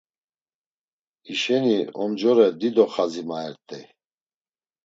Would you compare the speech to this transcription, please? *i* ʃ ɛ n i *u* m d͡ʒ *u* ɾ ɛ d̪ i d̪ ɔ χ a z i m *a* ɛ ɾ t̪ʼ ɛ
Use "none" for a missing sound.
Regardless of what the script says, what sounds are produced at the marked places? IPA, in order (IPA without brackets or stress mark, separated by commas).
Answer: i, ɔ, ɔ, a